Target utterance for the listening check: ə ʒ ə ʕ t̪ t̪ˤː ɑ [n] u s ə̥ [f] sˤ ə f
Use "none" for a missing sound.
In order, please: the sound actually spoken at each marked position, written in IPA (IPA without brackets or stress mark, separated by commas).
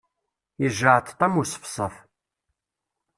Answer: m, f